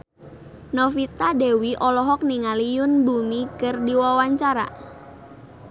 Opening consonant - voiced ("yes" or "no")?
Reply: yes